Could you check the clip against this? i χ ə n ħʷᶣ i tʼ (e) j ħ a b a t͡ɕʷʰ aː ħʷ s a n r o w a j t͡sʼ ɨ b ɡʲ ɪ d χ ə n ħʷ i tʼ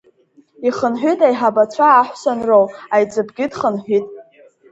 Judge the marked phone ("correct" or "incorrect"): incorrect